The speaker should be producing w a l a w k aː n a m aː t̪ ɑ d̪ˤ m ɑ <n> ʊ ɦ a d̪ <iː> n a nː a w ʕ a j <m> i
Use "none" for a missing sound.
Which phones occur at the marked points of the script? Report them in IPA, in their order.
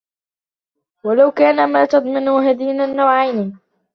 n, iː, n

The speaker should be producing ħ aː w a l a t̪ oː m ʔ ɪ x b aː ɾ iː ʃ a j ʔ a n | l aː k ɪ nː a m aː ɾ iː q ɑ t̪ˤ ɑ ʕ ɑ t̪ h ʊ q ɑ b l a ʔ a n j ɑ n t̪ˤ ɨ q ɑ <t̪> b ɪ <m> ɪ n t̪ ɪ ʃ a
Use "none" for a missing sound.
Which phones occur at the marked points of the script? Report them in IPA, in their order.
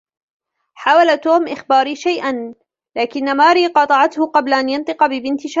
none, b

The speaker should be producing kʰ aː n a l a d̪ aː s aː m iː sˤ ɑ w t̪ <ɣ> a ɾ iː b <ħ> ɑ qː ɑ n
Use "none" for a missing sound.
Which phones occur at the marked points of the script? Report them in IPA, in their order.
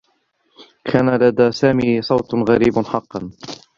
ɣ, ħ

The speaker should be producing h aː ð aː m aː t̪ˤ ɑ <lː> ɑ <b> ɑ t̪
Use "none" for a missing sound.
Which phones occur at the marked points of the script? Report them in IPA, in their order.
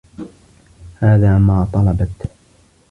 l, b

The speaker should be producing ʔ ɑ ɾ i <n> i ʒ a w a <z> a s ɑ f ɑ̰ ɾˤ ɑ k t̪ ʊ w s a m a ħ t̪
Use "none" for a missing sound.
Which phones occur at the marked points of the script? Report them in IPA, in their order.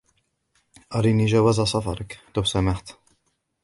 n, z

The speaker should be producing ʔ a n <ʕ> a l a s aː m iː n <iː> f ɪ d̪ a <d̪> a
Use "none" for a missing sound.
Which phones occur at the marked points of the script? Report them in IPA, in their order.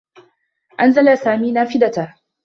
z, aː, t̪

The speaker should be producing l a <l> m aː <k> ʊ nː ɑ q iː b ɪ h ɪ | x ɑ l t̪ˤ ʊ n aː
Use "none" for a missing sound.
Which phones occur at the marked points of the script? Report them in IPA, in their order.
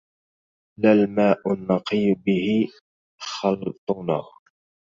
l, ʔ

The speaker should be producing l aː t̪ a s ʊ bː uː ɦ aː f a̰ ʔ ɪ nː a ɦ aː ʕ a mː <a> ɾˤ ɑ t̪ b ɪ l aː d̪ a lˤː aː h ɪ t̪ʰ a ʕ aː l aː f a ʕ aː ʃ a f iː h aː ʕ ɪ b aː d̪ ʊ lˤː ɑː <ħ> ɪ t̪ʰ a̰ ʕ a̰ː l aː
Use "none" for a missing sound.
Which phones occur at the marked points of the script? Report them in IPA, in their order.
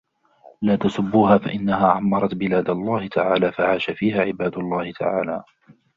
ɑ, h

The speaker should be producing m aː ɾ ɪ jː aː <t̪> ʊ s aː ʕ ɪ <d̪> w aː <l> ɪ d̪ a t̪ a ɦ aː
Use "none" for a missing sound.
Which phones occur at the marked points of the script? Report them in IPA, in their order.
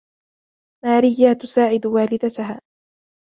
t̪, d̪, l

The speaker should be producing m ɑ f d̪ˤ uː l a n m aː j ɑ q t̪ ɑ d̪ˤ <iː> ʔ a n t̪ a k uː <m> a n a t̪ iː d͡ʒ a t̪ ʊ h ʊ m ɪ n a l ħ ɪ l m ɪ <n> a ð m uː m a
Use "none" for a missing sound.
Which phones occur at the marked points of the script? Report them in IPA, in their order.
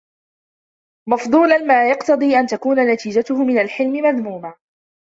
iː, n, m

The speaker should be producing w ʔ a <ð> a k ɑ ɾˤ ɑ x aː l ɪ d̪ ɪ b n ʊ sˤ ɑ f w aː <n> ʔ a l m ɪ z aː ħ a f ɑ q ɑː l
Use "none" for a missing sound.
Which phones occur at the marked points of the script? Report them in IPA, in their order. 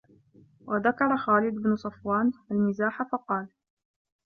ð, n

